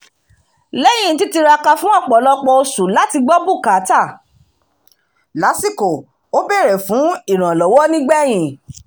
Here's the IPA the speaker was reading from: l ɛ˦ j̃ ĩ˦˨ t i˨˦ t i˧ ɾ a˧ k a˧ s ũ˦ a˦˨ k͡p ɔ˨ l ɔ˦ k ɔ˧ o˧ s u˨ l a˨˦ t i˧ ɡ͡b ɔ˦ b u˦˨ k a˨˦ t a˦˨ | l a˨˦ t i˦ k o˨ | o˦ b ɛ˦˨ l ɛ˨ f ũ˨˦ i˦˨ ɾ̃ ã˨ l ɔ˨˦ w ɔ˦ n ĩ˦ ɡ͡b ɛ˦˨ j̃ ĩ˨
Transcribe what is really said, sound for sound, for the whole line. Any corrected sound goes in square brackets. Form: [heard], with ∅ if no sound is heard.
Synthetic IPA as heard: l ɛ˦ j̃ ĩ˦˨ t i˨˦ t i˧ ɾ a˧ k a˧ [f] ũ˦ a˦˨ k͡p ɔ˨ l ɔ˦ [k͡p] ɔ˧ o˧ s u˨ l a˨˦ t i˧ ɡ͡b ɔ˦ b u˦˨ k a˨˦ t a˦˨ | l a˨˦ [s] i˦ k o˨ | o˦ b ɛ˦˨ [ɾ] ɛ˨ f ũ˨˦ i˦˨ ɾ̃ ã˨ l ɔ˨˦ w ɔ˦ n ĩ˦ ɡ͡b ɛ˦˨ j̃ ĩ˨